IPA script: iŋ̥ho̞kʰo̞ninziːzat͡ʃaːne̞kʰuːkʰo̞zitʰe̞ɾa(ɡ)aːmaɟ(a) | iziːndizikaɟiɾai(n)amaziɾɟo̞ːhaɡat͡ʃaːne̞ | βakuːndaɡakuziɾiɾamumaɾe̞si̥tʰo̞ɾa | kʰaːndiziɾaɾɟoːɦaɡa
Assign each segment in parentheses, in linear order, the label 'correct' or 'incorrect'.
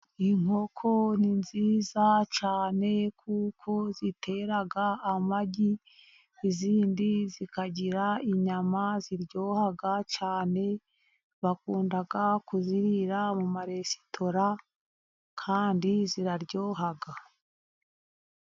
correct, incorrect: i, incorrect: ɲ

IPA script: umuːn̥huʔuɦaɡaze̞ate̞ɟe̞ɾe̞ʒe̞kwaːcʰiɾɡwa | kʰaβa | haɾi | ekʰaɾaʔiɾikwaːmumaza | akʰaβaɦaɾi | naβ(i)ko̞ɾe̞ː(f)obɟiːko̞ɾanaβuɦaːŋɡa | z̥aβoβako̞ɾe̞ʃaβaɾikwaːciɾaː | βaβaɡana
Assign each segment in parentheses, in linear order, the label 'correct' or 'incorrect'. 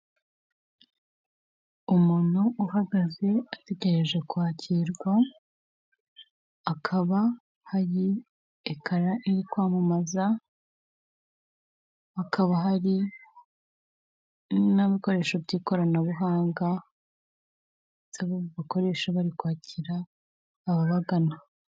correct, incorrect: ʃ

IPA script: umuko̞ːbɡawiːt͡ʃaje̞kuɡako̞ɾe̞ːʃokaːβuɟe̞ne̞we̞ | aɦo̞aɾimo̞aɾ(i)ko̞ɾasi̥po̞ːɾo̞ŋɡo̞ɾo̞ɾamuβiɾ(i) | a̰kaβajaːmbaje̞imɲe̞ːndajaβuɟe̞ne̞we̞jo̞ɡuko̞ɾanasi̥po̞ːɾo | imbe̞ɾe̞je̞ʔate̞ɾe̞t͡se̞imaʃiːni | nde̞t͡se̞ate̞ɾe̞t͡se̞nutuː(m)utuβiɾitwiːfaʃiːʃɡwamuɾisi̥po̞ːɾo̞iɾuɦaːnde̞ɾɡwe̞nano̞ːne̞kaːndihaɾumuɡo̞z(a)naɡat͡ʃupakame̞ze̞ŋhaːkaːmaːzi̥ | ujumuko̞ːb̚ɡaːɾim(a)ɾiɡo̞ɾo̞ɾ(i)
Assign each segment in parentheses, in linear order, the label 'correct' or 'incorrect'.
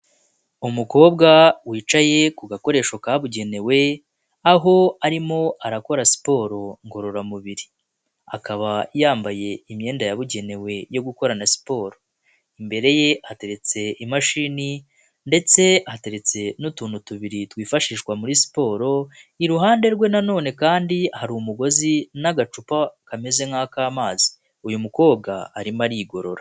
incorrect: a, correct, incorrect: n, incorrect: i, correct, incorrect: a

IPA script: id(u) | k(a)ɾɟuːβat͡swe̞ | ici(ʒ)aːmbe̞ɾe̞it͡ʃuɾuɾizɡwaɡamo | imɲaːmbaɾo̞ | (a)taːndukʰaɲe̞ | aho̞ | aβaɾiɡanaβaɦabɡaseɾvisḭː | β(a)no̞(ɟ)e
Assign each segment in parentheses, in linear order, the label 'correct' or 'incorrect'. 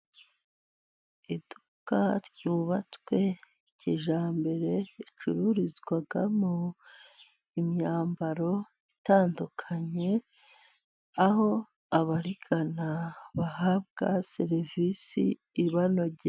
correct, correct, correct, incorrect: i, correct, correct

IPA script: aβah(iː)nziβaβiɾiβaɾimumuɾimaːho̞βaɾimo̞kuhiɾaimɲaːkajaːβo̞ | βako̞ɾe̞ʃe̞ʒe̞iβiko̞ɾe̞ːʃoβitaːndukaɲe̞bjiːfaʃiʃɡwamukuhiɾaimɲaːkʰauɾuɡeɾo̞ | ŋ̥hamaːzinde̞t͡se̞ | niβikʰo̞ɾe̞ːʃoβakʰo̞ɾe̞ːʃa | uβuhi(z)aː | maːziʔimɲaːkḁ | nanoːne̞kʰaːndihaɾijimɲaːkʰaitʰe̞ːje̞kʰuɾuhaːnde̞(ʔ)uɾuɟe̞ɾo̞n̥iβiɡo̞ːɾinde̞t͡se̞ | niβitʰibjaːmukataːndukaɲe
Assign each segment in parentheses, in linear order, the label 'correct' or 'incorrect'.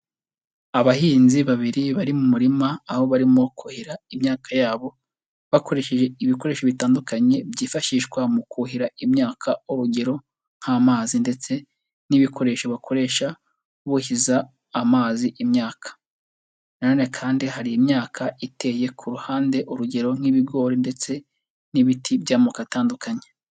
correct, correct, correct

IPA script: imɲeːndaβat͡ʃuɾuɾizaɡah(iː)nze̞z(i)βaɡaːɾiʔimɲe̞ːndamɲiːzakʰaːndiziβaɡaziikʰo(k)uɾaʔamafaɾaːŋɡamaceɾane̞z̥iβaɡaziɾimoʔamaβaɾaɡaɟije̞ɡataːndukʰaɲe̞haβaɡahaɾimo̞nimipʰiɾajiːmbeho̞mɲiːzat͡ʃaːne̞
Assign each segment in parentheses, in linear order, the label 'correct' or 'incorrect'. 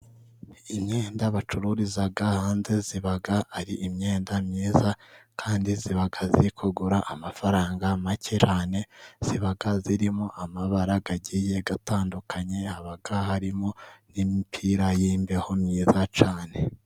incorrect: aː, correct, incorrect: ɡ

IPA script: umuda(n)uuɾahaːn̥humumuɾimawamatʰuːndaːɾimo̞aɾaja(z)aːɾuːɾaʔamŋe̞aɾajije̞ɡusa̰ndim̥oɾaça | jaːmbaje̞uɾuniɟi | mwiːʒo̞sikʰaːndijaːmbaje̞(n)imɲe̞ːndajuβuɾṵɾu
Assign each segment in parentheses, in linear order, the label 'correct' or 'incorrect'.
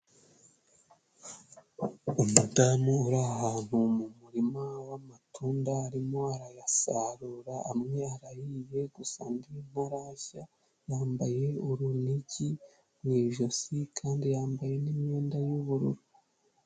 incorrect: m, incorrect: s, correct

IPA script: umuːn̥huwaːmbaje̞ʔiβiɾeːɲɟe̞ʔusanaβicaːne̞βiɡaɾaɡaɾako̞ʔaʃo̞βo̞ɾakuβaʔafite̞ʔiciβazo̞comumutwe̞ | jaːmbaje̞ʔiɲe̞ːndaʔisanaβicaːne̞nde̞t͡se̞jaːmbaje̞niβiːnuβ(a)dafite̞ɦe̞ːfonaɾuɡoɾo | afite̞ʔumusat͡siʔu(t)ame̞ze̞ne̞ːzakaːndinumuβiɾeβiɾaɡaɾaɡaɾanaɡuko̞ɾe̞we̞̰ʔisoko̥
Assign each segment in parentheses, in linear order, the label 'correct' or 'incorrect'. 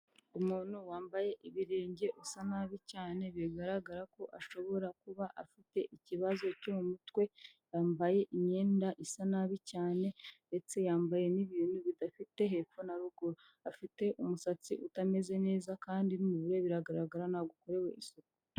incorrect: i, correct

